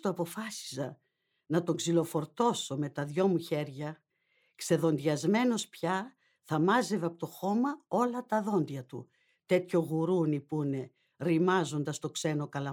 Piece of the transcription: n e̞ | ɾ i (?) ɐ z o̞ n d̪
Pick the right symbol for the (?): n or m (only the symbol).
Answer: m